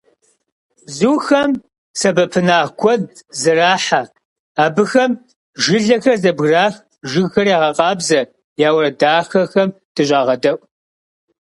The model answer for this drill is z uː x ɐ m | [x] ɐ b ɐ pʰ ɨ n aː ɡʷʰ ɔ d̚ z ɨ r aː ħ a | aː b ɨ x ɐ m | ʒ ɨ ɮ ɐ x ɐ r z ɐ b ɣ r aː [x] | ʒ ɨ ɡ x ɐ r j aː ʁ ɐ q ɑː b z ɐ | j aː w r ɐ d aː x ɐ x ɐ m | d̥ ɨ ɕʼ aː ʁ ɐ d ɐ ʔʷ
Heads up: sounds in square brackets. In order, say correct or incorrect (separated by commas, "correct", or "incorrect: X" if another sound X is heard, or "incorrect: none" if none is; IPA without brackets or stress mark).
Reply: incorrect: s, correct